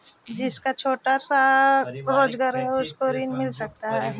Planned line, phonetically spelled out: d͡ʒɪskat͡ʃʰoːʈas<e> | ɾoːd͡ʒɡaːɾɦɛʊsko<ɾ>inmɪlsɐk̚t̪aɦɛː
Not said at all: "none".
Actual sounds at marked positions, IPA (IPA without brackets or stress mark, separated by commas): a, ɾ